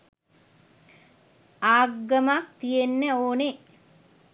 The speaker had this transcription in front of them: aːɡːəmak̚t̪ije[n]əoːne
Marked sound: incorrect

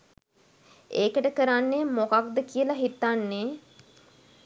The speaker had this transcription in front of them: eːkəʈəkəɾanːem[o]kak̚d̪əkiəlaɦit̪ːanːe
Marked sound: correct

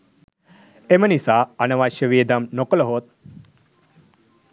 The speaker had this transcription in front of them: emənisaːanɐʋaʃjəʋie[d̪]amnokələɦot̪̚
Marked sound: correct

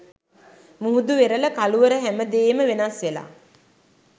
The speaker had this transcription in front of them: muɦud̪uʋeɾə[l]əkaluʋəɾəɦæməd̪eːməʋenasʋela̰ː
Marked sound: correct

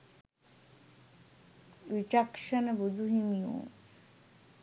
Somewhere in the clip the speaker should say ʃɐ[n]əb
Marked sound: correct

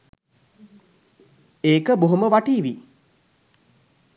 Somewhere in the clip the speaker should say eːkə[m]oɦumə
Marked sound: incorrect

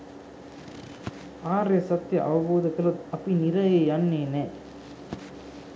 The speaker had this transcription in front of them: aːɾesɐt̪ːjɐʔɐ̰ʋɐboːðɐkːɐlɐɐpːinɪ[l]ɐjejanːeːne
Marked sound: incorrect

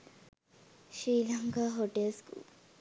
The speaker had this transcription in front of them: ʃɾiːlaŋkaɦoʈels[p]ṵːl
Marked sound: incorrect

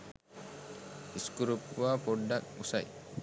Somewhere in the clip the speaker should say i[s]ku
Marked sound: correct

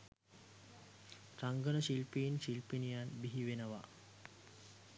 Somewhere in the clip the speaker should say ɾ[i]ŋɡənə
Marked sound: incorrect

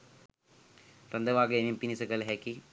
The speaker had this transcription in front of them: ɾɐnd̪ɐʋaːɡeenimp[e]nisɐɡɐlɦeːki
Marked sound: incorrect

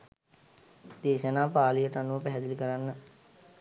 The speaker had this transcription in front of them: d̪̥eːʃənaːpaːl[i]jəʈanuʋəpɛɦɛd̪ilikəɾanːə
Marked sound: correct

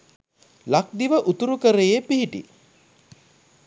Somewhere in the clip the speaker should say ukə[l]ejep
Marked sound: incorrect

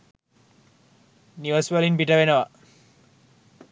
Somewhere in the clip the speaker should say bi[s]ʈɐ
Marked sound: incorrect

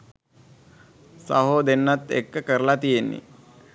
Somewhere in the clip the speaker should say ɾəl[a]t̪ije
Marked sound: correct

